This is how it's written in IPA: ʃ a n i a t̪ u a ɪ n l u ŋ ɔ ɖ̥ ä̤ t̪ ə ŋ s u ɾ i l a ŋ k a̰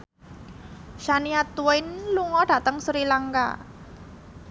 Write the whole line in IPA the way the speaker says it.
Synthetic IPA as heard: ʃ a n i a t̪ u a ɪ n l u ŋ ɔ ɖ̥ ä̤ t̪ ə ŋ s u ɾ i l a ŋ k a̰